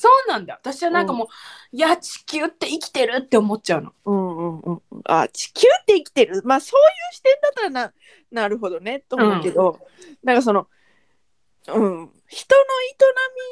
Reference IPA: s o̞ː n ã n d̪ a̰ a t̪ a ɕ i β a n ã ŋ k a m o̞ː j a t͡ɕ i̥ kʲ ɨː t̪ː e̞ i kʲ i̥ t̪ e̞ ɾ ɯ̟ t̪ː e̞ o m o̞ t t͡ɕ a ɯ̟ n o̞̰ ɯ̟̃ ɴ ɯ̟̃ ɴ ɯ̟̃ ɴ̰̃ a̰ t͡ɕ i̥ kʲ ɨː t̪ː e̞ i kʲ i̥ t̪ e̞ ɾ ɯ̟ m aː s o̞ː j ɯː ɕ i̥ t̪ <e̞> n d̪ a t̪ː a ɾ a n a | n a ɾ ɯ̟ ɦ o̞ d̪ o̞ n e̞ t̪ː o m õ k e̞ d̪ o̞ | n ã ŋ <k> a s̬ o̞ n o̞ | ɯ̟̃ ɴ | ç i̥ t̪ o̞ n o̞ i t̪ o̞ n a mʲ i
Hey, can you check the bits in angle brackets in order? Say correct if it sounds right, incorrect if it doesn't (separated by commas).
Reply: incorrect, correct